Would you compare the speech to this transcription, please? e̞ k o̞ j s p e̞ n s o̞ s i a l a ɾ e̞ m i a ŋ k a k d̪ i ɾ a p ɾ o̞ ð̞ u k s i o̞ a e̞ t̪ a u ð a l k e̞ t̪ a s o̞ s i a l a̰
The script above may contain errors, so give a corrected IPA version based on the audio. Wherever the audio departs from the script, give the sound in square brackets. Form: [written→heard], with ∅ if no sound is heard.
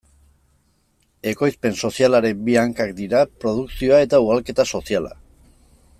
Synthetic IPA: e̞ k o̞ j s p e̞ n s o̞ s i a l a ɾ e̞ [m→b] i a ŋ k a k d̪ i ɾ a p ɾ o̞ ð̞ u k s i o̞ a e̞ t̪ a u [ð→ɣ] a l k e̞ t̪ a s o̞ s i a l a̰